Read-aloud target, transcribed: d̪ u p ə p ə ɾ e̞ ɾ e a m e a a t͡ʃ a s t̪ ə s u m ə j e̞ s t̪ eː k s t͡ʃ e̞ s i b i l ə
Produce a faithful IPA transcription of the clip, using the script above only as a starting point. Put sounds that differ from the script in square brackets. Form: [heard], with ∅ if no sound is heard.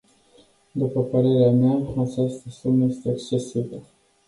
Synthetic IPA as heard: d̪ u p ə p ə ɾ e̞ ɾ e a m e a a t͡ʃ a s t̪ ə s u m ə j e̞ s t̪ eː k s t͡ʃ e̞ s i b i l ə